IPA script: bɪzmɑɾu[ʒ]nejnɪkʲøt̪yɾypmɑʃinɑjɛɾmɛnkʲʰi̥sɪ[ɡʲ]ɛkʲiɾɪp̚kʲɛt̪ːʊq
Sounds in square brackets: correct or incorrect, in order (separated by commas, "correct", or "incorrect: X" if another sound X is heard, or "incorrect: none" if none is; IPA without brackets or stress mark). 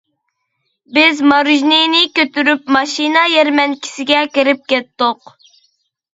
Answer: correct, correct